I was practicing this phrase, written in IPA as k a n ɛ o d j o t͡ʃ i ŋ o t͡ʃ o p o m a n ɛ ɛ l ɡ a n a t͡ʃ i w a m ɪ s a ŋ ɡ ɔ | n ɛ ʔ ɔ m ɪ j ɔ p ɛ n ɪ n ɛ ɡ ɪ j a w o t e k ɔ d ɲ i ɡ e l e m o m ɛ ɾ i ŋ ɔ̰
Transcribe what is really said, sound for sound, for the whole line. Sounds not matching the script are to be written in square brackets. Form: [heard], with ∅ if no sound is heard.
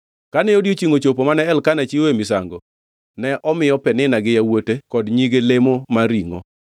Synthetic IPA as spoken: k a n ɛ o d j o t͡ʃ i ŋ o t͡ʃ o p o m a n ɛ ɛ l [k] a n a t͡ʃ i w [e] m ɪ s a ŋ ɡ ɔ | n ɛ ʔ ɔ m ɪ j ɔ p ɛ n ɪ n [a] ɡ ɪ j a w o t e k ɔ d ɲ i ɡ e l e m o m [a] ɾ i ŋ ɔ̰